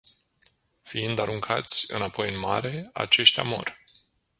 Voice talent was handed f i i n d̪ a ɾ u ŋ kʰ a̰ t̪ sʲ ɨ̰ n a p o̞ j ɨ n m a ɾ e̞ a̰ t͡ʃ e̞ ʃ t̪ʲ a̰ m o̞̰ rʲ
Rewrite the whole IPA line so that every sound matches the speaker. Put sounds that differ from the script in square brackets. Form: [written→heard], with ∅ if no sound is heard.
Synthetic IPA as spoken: f i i n d̪ a ɾ u ŋ kʰ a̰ t̪ sʲ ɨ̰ n a p o̞ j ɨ n m a ɾ e̞ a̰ t͡ʃ e̞ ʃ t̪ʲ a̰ m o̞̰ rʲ